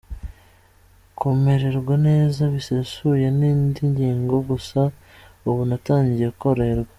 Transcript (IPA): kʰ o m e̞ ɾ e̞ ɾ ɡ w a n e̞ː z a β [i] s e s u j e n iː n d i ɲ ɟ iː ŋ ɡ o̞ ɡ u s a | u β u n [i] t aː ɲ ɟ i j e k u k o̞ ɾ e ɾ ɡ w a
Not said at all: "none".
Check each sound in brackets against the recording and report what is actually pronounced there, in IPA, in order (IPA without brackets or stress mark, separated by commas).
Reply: i, a